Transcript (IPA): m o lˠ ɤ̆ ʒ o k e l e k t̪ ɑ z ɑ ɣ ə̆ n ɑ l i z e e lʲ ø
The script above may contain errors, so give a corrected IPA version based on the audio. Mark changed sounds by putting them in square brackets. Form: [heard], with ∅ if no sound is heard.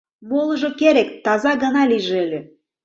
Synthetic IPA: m o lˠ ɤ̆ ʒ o k e [ɾ] e k t̪ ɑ z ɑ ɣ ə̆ n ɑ l i [ʒ] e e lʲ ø